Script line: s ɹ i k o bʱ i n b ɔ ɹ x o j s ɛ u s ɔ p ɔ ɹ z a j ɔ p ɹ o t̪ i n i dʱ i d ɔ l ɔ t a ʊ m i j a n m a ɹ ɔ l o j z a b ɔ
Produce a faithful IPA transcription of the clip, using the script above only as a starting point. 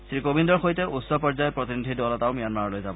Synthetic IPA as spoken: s ɹ i k o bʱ i n d ɔ ɹ x o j t ɛ u s ɔ p ɔ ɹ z a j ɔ p ɹ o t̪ i n i dʱ i d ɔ l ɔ t a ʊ m i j a n m a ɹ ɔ l o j z a b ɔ